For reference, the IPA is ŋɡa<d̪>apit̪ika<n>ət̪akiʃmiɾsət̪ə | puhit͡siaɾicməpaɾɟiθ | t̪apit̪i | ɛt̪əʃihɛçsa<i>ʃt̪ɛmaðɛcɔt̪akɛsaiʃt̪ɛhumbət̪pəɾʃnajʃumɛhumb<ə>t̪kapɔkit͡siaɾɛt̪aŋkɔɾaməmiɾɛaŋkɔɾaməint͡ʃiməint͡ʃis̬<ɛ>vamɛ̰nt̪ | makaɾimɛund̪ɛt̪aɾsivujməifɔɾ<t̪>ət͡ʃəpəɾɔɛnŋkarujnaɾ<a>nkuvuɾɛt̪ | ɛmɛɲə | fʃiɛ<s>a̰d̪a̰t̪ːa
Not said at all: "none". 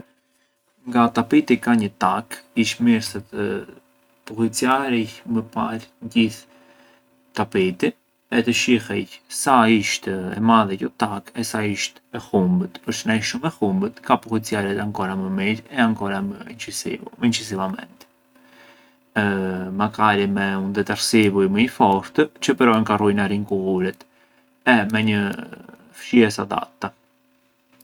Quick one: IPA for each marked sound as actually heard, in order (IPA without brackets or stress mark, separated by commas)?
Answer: t̪, ɲ, i, ə, i, t̪, i, s